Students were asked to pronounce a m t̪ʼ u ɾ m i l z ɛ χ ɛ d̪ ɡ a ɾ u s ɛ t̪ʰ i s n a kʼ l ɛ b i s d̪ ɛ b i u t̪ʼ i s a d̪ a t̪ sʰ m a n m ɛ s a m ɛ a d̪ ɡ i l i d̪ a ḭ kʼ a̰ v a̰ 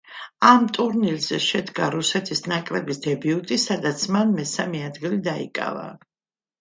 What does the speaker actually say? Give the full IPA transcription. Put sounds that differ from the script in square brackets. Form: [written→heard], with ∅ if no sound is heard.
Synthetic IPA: a m t̪ʼ u ɾ [m→n] i l z ɛ [χ→ʃ] ɛ d̪ ɡ a ɾ u s ɛ t̪ʰ i s n a kʼ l ɛ b i s d̪ ɛ b i u t̪ʼ i s a d̪ a t̪ sʰ m a n m ɛ s a m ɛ a d̪ ɡ i l i d̪ a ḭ kʼ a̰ v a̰